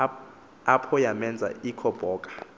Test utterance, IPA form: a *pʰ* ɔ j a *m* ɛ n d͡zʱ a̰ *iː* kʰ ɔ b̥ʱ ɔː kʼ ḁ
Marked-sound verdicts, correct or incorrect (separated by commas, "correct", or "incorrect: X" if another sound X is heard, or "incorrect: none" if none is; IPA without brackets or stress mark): correct, correct, incorrect: i